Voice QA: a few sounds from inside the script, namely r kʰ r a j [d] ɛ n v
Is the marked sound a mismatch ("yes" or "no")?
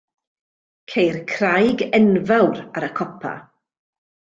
yes